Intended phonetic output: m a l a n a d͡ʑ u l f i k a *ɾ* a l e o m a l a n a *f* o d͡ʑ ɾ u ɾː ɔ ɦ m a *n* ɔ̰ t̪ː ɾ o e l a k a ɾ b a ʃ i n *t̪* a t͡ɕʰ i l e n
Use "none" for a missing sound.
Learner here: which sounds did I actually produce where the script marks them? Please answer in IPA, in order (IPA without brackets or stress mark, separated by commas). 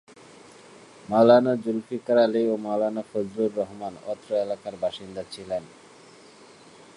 ɾ, f, n, d̪